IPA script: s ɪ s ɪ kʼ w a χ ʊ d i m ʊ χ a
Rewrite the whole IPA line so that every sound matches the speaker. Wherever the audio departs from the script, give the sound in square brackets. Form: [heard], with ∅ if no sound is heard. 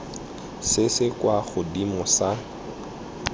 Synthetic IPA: s ɪ s ɪ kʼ w a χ ʊ d i m ʊ [s] a